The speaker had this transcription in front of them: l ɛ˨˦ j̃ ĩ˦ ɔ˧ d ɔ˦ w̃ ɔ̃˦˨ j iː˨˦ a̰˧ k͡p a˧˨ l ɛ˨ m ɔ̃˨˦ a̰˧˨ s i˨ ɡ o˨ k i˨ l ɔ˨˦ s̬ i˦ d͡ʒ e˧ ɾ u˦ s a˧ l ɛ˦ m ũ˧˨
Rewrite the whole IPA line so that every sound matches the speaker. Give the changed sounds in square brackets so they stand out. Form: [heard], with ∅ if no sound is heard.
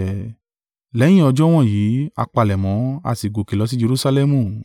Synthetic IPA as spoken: l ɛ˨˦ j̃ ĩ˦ ɔ˧ [d͡ʒ] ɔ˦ w̃ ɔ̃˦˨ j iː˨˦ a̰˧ k͡p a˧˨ l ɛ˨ m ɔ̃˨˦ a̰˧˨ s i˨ ɡ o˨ k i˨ l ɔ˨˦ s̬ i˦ d͡ʒ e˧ ɾ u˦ s a˧ l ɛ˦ m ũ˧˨